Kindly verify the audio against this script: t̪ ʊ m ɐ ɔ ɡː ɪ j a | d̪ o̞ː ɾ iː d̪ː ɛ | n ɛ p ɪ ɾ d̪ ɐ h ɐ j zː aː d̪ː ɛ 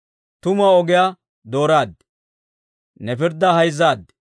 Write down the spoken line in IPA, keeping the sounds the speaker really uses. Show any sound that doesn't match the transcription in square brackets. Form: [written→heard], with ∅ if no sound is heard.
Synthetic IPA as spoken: t̪ ʊ m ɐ ɔ [ɡː→ɡ] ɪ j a | d̪ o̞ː ɾ [iː→aː] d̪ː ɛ | n ɛ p ɪ ɾ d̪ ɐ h ɐ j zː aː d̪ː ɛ

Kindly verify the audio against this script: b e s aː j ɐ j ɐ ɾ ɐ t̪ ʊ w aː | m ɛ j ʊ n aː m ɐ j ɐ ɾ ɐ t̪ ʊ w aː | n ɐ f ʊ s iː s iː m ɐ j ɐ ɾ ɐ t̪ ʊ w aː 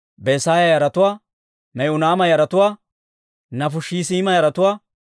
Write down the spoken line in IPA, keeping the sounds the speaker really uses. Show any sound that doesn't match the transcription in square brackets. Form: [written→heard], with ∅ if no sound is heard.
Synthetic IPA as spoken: b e s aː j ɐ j ɐ ɾ ɐ t̪ ʊ w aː | m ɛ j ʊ n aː m ɐ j ɐ ɾ ɐ t̪ ʊ w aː | n ɐ f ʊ [s→ʃ] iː s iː m ɐ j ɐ ɾ ɐ t̪ ʊ w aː

